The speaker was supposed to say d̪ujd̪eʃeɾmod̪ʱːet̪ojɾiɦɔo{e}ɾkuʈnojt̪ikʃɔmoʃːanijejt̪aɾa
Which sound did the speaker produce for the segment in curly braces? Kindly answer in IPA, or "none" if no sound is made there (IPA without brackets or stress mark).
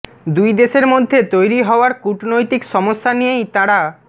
a